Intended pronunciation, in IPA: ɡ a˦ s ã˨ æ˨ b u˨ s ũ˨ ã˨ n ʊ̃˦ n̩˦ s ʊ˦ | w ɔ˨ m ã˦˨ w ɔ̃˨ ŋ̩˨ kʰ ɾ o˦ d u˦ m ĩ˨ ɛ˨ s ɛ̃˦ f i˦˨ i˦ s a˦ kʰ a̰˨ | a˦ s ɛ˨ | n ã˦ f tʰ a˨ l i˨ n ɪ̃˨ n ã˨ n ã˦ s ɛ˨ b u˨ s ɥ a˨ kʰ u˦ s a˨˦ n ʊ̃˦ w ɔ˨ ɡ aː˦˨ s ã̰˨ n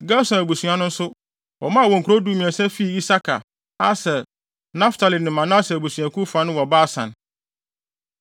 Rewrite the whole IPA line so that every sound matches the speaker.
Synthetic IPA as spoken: ɡ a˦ s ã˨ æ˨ b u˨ s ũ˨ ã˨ n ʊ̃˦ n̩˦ s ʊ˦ | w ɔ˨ m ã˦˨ w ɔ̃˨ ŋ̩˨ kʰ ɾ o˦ d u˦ m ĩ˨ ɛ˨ s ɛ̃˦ f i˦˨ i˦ s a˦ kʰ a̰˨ | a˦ s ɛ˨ | n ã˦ f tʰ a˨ l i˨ n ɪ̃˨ m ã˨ n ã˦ s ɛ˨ b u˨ s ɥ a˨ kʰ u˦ f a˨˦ n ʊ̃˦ w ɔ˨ b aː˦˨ s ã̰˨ n